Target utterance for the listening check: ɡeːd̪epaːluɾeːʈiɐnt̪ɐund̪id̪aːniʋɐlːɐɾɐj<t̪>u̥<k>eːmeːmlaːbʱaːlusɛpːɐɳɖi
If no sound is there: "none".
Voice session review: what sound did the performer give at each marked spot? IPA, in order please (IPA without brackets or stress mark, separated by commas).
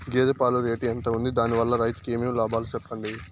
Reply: t̪, k